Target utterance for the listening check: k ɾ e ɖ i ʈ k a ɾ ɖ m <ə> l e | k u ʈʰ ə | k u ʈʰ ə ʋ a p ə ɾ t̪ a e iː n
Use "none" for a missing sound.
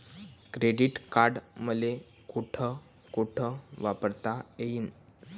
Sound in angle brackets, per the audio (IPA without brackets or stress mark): ə